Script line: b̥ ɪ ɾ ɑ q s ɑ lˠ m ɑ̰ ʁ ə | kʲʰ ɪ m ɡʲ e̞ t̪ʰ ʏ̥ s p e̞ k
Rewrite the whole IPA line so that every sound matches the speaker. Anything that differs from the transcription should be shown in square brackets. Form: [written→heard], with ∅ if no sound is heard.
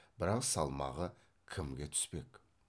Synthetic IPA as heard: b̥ ɪ ɾ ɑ q s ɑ lˠ m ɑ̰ ʁ ə | kʲʰ ɪ m ɡʲ e̞ t̪ʰ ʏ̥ s p e̞ k